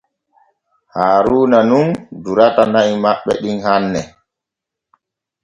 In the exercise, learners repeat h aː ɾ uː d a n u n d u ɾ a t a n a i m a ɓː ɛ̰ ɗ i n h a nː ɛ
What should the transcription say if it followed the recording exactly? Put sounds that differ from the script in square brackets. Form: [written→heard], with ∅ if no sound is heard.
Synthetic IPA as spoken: h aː ɾ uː [d→n] a n u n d u ɾ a t a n a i m a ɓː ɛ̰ ɗ i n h a nː ɛ

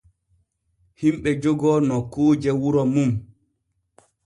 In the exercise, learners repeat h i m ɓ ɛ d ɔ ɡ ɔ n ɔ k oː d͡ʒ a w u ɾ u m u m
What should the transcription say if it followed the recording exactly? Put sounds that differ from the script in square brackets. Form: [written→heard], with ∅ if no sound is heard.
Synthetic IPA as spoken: h i m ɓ ɛ [d→d͡ʒ] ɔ ɡ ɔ n ɔ k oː d͡ʒ [a→ɛ] w u ɾ [u→ɔ] m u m

